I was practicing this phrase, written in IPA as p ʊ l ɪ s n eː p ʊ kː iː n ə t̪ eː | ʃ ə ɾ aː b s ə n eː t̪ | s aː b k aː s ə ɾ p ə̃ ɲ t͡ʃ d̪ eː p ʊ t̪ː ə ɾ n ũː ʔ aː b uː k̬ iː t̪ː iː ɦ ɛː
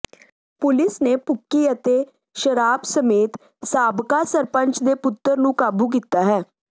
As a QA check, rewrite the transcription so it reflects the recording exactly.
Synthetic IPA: p ʊ l ɪ s n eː p ʊ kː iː ə t̪ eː | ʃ ə ɾ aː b s ə m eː t̪ | s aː b k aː s ə ɾ p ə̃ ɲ t͡ʃ d̪ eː p ʊ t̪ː ə ɾ n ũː k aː b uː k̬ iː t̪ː aː ɦ ɛː

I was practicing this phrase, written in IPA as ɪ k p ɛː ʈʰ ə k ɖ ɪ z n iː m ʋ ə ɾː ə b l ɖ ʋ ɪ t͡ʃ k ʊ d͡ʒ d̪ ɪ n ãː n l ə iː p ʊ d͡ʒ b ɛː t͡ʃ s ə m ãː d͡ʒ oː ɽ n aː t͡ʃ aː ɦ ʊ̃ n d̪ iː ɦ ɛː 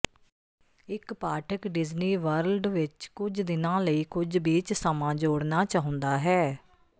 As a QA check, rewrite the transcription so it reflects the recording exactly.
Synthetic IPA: ɪ k p aː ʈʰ ə k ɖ ɪ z n iː ʋ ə ɾ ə l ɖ ʋ ɪ t͡ʃ k ʊ d͡ʒ d̪ ɪ n ãː l ə iː k ʊ d͡ʒ b iː t͡ʃ s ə m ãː d͡ʒ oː ɽ n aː t͡ʃ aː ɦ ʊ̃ n d̪ aː ɦ ɛː

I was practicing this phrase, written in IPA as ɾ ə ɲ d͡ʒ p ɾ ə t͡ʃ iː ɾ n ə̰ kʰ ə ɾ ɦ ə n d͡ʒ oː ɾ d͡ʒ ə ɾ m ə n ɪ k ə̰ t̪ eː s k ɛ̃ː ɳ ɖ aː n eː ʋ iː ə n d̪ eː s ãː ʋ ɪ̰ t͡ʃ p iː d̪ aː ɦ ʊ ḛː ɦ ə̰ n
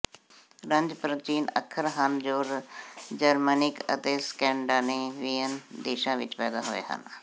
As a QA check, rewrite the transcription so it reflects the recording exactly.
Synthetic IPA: ɾ ə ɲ d͡ʒ p ɾ ə t͡ʃ iː n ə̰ kʰ ə ɾ ɦ ə n d͡ʒ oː ɾ d͡ʒ ə ɾ m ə n ɪ k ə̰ t̪ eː s k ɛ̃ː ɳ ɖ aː n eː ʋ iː ə n d̪ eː ʃ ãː ʋ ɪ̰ t͡ʃ p ɛː d̪ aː ɦ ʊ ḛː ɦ ə̰ n

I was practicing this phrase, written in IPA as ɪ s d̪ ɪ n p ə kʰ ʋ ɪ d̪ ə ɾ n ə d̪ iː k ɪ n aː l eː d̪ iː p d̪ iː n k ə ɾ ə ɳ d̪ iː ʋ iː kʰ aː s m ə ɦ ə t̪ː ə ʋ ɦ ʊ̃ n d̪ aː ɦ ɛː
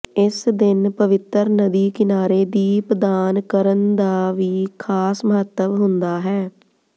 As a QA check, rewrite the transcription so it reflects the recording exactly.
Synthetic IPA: ɪ s d̪ ɪ n p ə ʋ ɪ t̪ ə ɾ n ə d̪ iː k ɪ n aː ɾ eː d̪ iː p d̪ aː n k ə ɾ ə n d̪ aː ʋ iː kʰ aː s m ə ɦ ə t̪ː ə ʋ ɦ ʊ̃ n d̪ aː ɦ ɛː

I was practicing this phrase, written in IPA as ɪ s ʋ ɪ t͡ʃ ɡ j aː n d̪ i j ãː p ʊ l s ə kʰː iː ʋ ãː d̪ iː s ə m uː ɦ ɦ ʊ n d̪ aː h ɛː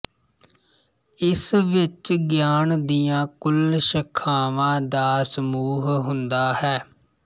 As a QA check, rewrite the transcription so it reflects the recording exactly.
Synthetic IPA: ɪ s ʋ ɪ t͡ʃ ɡ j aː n d̪ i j ãː k ʊ l ʃ ə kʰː aː ʋ ãː d̪ aː s ə m uː ɦ ɦ ʊ n d̪ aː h ɛː

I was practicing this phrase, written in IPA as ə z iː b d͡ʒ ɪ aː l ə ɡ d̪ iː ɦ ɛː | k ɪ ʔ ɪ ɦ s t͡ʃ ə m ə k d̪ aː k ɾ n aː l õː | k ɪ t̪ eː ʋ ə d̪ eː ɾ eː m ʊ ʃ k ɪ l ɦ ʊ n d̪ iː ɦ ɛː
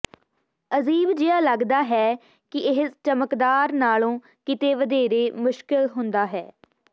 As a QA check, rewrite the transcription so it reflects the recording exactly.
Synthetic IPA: ə z iː b d͡ʒ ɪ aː l ə ɡ d̪ aː ɦ ɛː | k ɪ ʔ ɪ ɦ s t͡ʃ ə m ə k d̪ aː ɾ n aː l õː | k ɪ t̪ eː ʋ ə d̪ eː ɾ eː m ʊ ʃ k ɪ l ɦ ʊ n d̪ aː ɦ ɛː

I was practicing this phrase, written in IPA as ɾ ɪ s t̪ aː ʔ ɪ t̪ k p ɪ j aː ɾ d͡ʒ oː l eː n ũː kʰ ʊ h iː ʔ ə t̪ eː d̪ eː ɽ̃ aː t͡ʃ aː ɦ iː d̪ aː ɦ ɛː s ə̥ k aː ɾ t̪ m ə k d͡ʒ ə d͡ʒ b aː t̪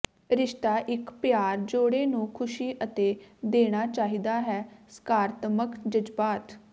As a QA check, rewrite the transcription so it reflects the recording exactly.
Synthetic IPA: ɾ ɪ ʃ t̪ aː ʔ ɪ k p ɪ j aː ɾ d͡ʒ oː ɽ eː n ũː kʰ ʊ ʃ iː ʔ ə t̪ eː d̪ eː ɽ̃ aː t͡ʃ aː ɦ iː d̪ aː ɦ ɛː s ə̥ k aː ɾ t̪ m ə k d͡ʒ ə d͡ʒ b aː t̪

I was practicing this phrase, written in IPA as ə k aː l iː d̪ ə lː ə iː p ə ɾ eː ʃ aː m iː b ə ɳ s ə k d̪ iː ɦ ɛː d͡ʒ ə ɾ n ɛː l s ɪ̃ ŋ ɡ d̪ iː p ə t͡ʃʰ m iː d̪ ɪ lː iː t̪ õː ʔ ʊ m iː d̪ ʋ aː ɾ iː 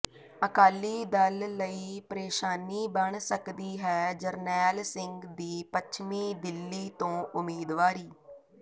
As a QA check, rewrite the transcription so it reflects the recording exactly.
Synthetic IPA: ə k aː l iː d̪ ə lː ə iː p ə ɾ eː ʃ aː n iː b ə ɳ s ə k d̪ iː ɦ ɛː d͡ʒ ə ɾ n ɛː l s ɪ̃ ŋ ɡ d̪ iː p ə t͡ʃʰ m iː d̪ ɪ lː iː t̪ õː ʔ ʊ m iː d̪ ʋ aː ɾ iː

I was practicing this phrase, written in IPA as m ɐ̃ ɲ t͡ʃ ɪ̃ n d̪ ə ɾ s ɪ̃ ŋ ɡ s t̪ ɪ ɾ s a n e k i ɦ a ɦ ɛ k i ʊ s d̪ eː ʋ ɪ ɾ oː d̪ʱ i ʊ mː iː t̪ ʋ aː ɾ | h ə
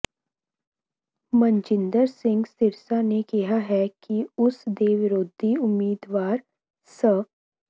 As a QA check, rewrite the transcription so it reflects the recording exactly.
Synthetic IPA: m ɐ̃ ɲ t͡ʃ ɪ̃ n d̪ ə ɾ s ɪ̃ ŋ ɡ s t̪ ɪ ɾ s a n e k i ɦ a ɦ ɛ k i ʊ s d̪ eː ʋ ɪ ɾ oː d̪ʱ i ʊ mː iː d̪ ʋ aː ɾ | s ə

